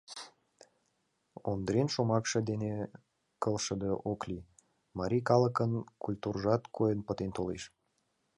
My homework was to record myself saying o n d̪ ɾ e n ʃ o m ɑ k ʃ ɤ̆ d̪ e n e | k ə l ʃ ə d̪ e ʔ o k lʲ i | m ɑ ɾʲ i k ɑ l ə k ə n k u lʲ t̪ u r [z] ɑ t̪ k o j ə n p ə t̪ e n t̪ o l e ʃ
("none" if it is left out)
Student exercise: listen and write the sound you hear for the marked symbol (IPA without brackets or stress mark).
ʒ